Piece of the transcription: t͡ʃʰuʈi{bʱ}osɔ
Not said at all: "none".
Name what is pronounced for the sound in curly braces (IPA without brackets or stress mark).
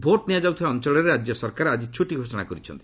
ɡʱ